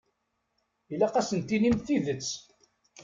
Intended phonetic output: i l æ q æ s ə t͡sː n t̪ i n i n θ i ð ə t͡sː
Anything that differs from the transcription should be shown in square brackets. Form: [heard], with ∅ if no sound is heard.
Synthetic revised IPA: i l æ q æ s ə [∅] n t̪ i n i [m] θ i ð ə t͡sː